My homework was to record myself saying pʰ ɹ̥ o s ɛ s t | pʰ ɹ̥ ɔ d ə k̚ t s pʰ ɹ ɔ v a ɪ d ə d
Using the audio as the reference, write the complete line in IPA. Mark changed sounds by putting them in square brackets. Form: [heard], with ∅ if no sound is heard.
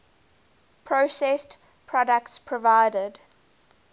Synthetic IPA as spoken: pʰ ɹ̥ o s ɛ s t | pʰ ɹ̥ ɔ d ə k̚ t s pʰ ɹ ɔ v a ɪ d ə d